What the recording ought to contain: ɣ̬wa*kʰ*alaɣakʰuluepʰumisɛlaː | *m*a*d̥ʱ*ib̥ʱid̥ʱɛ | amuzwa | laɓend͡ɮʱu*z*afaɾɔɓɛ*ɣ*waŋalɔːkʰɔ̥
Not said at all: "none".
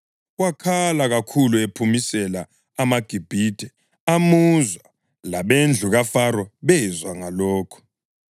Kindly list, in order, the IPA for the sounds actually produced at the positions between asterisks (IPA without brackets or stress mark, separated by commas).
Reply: kʰ, m, ɡ̥ʱ, ɣ, z